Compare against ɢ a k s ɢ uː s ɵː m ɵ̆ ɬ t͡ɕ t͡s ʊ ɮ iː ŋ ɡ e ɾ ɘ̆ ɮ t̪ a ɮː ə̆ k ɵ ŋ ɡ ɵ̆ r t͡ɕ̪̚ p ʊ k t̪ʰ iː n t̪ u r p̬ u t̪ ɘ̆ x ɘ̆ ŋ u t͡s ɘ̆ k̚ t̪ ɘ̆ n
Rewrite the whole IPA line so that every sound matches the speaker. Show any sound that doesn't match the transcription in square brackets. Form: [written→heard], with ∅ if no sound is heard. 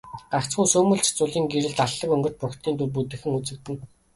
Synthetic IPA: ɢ a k [s→t͡s] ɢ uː s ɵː m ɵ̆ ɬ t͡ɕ t͡s ʊ ɮ iː ŋ ɡ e ɾ ɘ̆ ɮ t̪ a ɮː ə̆ k ɵ ŋ ɡ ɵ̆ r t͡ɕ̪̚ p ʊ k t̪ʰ iː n t̪ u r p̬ u t̪ ɘ̆ x ɘ̆ ŋ u t͡s ɘ̆ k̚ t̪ ɘ̆ n

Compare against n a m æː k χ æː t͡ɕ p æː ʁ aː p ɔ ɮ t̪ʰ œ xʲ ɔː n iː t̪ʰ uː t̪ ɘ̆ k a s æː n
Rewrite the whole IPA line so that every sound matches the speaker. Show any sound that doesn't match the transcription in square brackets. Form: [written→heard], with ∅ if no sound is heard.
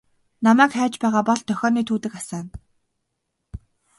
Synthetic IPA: n a m æː k χ æː t͡ɕ p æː ʁ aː p ɔ ɮ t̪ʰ œ xʲ ɔː n iː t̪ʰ uː t̪ ɘ̆ k a s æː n

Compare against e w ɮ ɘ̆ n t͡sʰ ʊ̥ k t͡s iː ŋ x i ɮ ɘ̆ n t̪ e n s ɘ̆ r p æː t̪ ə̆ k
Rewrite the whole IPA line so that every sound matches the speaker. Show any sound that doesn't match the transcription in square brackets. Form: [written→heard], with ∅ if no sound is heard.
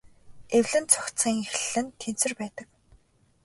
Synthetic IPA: e w ɮ ɘ̆ n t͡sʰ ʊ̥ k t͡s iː ŋ x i ɮ ɘ̆ n [t̪→t̪ʰ] e n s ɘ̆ r p æː t̪ ə̆ k

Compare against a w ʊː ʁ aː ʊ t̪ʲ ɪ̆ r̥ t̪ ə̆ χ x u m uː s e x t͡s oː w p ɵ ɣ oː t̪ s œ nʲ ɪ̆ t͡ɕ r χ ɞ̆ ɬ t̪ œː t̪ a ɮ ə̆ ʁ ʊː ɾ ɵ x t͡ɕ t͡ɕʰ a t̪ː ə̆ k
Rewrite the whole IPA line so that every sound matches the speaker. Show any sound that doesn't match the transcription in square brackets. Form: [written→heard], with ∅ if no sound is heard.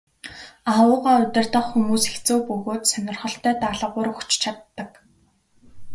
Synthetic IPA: a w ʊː ʁ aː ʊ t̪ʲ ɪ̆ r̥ t̪ ə̆ χ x u m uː s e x t͡s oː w p ɵ ɣ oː t̪ s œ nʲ ɪ̆ [t͡ɕ→∅] r χ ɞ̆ ɬ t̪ œː t̪ a ɮ ə̆ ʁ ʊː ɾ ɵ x t͡ɕ t͡ɕʰ a t̪ː ə̆ k

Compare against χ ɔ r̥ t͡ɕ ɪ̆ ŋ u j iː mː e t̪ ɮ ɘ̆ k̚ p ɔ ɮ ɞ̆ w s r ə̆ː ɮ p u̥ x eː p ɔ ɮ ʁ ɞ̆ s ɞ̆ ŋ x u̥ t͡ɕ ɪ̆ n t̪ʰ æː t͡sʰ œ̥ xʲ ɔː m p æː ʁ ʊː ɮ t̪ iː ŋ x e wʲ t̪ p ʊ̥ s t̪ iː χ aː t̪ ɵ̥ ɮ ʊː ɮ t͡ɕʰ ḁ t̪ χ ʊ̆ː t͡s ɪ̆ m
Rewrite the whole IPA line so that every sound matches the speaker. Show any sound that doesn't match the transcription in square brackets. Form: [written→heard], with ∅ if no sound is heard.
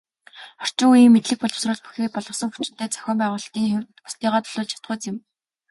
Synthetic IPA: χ ɔ r̥ t͡ɕ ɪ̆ ŋ u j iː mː e t̪ ɮ ɘ̆ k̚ p ɔ ɮ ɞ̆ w s r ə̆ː ɮ p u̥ x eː p ɔ ɮ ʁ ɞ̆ s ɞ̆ ŋ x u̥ t͡ɕ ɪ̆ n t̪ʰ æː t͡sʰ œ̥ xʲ ɔː m p æː ʁ ʊː ɮ t̪ iː ŋ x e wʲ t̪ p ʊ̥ s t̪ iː [χ→ʁ] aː t̪ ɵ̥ ɮ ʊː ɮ t͡ɕʰ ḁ t̪ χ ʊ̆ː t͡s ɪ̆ m

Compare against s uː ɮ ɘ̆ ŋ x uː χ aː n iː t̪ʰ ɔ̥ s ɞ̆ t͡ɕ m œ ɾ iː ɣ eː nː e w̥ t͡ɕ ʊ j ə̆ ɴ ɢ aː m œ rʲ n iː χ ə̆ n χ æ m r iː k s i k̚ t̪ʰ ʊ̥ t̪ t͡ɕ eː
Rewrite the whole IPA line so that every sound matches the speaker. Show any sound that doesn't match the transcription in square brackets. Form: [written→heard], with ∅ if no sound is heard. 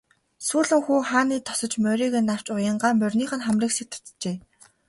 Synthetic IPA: s uː ɮ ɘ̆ ŋ x uː χ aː n iː t̪ʰ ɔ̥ s ɞ̆ t͡ɕ m œ ɾ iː ɣ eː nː [e→a] w̥ t͡ɕ ʊ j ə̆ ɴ ɢ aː m œ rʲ n iː χ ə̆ n χ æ m r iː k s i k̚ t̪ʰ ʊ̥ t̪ t͡ɕ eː

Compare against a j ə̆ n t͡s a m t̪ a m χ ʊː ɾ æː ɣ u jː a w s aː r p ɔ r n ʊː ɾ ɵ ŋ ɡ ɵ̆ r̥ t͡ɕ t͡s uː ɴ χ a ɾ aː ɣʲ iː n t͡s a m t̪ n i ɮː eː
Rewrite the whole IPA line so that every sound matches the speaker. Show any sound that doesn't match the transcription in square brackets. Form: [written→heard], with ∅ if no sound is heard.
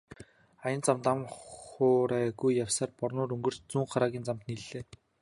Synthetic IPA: a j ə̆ n t͡s a m t̪ a m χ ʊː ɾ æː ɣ u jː a w s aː r p ɔ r n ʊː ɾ ɵ ŋ ɡ ɵ̆ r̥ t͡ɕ t͡s uː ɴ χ a ɾ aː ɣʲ iː n t͡s a m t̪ n i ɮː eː

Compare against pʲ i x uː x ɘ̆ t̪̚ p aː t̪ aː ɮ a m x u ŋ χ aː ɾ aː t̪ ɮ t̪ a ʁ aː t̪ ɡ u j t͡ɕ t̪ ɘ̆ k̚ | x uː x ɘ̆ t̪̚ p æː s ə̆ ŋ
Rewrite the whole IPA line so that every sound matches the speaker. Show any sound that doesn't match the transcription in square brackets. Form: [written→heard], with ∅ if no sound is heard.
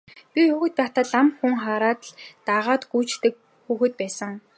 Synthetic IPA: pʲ i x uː x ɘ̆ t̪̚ p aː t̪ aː ɮ a m x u ŋ χ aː ɾ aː t̪ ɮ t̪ a ʁ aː t̪ ɡ u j t͡ɕ t̪ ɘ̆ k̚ | x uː x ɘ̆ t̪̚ p æː s ə̆ ŋ

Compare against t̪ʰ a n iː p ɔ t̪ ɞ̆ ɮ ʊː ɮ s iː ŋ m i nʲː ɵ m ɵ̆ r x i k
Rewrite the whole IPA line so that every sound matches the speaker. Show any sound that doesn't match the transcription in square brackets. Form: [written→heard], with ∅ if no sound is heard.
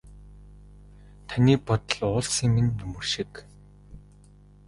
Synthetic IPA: t̪ʰ a n iː p ɔ t̪ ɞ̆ ɮ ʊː ɮ s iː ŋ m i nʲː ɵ m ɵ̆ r [x→ʃ] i k

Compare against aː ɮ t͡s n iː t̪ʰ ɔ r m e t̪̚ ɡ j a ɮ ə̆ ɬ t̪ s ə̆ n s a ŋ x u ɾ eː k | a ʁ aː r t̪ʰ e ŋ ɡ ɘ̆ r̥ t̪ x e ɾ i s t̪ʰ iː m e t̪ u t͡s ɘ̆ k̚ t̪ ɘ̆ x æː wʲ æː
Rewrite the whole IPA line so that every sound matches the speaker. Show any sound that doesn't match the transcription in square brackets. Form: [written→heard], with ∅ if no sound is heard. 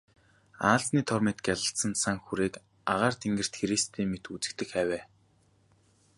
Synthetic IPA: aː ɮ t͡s n iː t̪ʰ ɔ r m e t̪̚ ɡ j a ɮ ə̆ ɬ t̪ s ə̆ n s a ŋ x u ɾ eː k | a ʁ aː r t̪ʰ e ŋ ɡ ɘ̆ r̥ t̪ x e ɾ i s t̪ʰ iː m e t̪ u t͡s ɘ̆ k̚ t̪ ɘ̆ x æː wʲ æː

